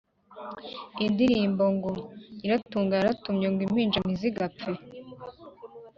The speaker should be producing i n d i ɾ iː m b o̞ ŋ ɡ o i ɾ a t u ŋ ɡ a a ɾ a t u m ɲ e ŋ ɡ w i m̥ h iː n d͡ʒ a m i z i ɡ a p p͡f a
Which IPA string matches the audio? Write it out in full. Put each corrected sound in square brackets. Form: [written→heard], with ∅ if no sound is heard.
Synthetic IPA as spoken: i n d i ɾ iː m b o̞ ŋ ɡ o i ɾ a t [u→uː] ŋ ɡ a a ɾ a t u m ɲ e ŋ ɡ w i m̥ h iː n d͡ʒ a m i z i ɡ a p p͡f [a→e]